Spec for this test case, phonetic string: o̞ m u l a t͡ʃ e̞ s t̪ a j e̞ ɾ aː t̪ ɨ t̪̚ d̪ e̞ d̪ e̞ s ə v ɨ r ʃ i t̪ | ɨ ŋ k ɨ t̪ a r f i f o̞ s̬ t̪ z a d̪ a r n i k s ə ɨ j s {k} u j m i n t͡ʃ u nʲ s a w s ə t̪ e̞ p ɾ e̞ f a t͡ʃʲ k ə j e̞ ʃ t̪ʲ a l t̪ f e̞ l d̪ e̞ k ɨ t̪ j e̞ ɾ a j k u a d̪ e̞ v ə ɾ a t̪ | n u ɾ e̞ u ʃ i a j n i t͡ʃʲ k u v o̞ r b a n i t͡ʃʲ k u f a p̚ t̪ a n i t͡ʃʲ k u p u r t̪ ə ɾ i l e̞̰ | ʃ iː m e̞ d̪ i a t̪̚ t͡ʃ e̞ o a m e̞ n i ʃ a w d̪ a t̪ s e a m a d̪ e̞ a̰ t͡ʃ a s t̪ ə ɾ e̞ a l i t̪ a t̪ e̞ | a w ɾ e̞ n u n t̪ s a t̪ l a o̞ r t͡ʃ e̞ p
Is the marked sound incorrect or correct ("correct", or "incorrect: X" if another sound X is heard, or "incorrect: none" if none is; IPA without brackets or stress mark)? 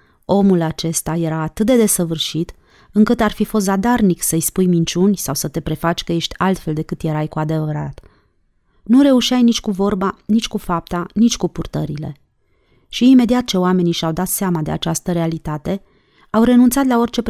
incorrect: p